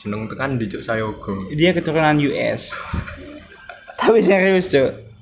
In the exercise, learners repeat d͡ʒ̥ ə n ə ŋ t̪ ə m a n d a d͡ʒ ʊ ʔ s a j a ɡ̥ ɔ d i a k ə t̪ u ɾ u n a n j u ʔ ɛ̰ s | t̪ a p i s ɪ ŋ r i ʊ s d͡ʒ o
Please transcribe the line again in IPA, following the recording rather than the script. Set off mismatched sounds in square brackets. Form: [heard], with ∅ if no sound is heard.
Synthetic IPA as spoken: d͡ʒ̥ ə n ə ŋ t̪ ə [ŋ] a n d [i] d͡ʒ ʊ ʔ s a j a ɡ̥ ɔ d i a k ə t̪ u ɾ u n a n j u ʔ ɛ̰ s | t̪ a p i s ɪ ŋ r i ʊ s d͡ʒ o